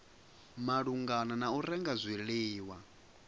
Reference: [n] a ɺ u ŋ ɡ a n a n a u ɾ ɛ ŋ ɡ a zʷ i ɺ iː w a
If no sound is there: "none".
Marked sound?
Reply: m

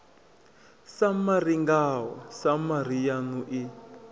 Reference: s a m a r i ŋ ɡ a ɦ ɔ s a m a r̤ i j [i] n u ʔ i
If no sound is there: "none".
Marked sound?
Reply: a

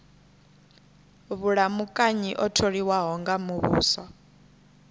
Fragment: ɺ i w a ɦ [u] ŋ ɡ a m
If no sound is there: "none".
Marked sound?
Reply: ɔ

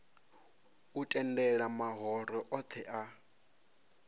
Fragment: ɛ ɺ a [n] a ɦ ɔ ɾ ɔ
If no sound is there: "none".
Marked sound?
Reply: m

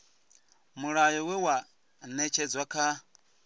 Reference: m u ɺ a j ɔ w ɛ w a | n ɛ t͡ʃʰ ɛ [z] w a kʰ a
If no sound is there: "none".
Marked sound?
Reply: d͡z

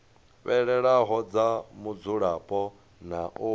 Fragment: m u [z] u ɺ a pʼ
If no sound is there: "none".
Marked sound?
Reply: d͡z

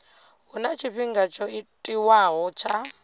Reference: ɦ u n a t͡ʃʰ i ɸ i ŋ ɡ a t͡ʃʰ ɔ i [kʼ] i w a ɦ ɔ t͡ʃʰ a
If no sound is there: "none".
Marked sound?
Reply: tʼ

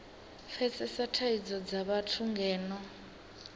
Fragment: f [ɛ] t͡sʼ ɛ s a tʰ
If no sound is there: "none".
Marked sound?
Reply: ɛ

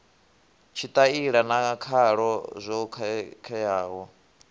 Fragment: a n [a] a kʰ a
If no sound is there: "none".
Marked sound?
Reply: a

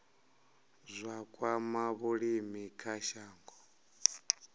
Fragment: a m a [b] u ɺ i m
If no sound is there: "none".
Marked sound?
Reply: β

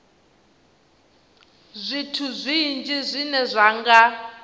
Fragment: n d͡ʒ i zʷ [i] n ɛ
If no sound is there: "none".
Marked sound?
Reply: i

